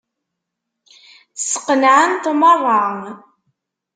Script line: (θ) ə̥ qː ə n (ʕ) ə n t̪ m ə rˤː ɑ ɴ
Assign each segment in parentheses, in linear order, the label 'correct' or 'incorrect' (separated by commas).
incorrect, correct